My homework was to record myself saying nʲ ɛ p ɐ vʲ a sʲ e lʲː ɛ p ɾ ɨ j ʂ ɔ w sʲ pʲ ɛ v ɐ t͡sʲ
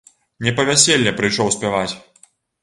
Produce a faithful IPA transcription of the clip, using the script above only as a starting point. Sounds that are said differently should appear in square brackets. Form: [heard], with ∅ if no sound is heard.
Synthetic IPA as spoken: nʲ ɛ p ɐ vʲ a sʲ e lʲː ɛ p ɾ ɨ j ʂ ɔ w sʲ pʲ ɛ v [a] t͡sʲ